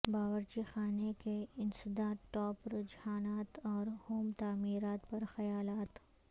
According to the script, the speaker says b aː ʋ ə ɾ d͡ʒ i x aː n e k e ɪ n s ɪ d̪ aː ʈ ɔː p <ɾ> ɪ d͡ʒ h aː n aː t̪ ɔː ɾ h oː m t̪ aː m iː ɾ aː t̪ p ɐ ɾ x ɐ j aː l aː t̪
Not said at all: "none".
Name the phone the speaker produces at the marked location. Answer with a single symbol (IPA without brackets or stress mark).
ɾ